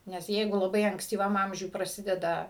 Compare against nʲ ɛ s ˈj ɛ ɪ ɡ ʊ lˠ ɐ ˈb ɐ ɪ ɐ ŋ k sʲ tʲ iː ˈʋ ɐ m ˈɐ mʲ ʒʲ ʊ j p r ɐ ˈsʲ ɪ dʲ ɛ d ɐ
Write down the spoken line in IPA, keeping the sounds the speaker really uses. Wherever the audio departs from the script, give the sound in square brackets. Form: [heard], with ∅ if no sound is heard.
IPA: nʲ ɛ s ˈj ɛ ɪ ɡ ʊ lˠ ɐ ˈb ɐ ɪ ɐ ŋ k sʲ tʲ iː ˈʋ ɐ m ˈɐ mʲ ʒʲ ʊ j p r ɐ ˈsʲ ɪ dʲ ɛ d ɐ